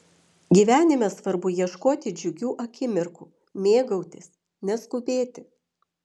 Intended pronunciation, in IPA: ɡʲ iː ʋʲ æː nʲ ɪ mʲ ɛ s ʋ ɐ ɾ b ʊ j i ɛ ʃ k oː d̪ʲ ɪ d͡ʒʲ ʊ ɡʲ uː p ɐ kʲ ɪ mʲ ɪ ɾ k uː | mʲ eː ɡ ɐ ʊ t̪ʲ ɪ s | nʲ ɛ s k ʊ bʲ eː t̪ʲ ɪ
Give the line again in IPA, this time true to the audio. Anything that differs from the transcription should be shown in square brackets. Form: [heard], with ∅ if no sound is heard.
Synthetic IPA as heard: ɡʲ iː ʋʲ æː nʲ ɪ mʲ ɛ s ʋ ɐ ɾ b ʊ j i ɛ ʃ k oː [t̪ʲ] ɪ d͡ʒʲ ʊ ɡʲ uː [ʔ] ɐ kʲ ɪ mʲ ɪ ɾ k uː | mʲ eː ɡ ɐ ʊ t̪ʲ ɪ s | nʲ ɛ s k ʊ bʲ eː t̪ʲ ɪ